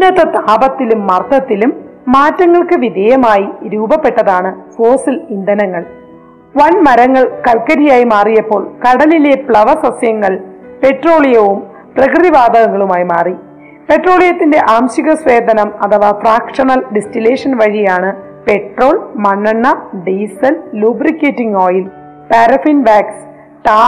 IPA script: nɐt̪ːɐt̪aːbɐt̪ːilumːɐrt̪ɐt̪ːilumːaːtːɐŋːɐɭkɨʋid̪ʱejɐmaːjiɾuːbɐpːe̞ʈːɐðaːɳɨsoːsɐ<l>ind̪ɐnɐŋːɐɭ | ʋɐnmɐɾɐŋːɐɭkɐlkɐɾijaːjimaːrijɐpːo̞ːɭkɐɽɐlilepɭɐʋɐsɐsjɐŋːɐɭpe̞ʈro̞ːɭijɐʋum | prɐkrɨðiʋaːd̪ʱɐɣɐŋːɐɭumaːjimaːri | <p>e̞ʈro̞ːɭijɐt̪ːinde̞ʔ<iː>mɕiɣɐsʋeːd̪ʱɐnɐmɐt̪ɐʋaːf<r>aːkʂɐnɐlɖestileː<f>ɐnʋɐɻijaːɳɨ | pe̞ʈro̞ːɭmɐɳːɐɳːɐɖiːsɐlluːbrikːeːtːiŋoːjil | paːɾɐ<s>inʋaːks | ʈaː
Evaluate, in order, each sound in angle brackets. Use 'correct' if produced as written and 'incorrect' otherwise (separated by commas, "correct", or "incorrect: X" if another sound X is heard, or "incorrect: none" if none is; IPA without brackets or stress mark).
correct, correct, incorrect: aː, correct, incorrect: ʂ, incorrect: f